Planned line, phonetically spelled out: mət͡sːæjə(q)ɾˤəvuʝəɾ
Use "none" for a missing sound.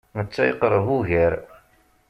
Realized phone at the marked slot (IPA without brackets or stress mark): q